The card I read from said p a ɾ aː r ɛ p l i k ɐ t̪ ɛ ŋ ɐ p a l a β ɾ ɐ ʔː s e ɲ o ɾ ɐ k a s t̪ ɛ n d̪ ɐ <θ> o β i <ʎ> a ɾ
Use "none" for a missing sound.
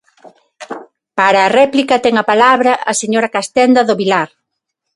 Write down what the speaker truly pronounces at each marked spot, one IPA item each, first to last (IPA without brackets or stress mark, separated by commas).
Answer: ð, l